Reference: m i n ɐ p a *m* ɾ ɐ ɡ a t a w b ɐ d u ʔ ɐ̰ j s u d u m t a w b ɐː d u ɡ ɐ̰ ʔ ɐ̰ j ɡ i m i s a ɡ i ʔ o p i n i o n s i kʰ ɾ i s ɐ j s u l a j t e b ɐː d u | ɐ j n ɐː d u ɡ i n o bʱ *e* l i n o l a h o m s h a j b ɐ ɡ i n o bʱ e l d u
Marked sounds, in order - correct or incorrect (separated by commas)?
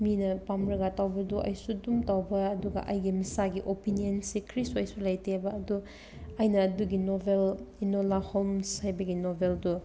correct, correct